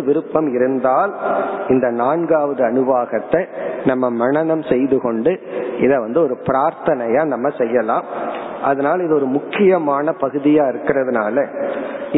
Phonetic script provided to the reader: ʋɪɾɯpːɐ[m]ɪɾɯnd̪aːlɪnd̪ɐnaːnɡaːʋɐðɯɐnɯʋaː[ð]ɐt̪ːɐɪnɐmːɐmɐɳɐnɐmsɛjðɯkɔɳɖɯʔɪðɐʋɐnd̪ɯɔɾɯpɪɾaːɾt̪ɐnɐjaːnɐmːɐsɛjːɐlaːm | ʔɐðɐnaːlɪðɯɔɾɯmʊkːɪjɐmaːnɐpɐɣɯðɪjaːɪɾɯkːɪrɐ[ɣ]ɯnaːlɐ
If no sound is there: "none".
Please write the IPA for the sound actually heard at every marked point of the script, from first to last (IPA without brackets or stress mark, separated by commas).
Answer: m, ɣ, ð